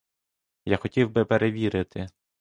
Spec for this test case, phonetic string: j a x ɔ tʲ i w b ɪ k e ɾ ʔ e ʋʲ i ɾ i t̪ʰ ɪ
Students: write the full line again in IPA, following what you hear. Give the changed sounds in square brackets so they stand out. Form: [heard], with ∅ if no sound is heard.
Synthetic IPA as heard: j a x ɔ tʲ i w b ɪ [p] e ɾ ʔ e ʋʲ i ɾ [ɪ] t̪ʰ ɪ